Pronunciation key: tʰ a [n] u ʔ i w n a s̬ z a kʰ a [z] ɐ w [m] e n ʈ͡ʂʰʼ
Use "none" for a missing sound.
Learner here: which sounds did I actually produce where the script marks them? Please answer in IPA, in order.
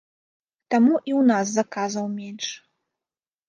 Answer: m, z, m

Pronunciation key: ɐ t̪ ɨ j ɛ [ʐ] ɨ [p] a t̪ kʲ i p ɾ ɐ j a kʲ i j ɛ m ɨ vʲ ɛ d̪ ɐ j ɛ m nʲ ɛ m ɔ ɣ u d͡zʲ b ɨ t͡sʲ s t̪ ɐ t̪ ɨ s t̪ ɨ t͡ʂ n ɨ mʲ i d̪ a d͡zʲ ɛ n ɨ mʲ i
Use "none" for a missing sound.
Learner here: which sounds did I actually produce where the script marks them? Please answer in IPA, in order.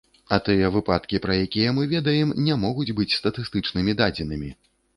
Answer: v, p

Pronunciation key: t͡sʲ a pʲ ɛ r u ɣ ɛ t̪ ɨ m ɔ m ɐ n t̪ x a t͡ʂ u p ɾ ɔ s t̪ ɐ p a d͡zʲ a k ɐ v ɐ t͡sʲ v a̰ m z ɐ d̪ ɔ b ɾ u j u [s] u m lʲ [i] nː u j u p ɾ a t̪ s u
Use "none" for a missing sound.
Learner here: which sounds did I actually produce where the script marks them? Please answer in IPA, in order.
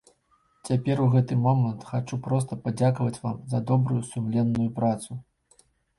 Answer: s, ɛ

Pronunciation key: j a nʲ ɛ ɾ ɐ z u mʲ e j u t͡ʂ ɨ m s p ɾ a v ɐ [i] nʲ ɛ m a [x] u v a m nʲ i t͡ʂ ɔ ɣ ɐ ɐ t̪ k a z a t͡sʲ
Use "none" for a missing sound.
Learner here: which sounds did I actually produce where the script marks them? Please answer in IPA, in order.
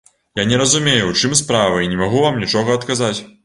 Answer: i, ɣ

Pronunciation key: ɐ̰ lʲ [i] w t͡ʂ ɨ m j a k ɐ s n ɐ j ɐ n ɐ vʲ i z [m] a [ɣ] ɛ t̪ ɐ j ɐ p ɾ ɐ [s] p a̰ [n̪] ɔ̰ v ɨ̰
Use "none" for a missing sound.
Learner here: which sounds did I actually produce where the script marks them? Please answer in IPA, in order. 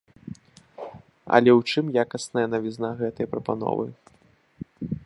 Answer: ɛ, n, ɣ, none, n̪

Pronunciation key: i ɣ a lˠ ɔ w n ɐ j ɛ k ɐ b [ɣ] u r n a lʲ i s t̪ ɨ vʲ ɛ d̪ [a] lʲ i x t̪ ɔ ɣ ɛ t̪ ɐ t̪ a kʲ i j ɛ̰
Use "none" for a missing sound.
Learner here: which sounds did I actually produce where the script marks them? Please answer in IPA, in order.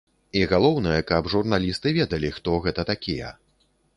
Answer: ʐ, ɐ

